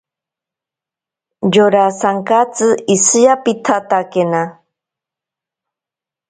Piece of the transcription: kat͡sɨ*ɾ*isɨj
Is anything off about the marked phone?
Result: yes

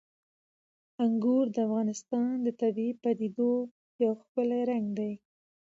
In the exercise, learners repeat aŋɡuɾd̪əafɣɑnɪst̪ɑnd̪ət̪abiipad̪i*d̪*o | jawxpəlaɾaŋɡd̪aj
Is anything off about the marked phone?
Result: no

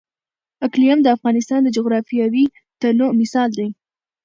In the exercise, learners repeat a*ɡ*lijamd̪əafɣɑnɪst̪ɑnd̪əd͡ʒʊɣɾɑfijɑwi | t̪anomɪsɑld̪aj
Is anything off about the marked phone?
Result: yes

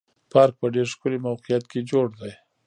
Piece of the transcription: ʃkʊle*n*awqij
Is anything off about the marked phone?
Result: yes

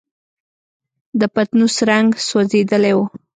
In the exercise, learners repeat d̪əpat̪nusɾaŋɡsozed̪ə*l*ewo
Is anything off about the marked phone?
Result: no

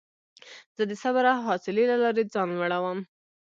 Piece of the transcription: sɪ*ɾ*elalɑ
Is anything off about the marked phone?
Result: yes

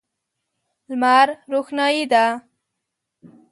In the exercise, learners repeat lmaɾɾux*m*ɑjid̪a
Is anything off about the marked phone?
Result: yes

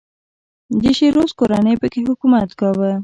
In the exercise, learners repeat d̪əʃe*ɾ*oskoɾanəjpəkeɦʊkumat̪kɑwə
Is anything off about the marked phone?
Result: no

